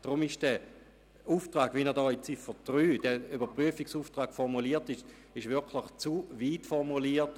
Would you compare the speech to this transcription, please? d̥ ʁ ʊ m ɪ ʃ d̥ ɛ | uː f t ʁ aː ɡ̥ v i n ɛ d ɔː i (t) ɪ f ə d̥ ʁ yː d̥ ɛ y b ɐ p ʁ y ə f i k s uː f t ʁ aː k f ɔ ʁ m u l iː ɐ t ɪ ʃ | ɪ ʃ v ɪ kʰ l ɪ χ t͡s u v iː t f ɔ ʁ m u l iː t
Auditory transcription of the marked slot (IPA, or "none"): t͡s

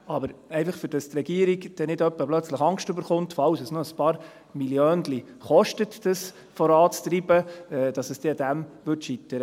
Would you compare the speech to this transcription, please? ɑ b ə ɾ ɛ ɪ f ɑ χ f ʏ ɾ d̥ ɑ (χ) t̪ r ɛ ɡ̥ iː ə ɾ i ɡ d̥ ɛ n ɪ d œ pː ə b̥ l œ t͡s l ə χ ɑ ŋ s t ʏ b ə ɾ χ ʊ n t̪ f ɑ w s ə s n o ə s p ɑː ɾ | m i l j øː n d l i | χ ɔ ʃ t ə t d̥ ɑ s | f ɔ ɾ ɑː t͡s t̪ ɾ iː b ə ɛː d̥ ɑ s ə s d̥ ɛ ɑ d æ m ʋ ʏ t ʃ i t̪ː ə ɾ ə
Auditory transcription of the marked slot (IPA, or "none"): s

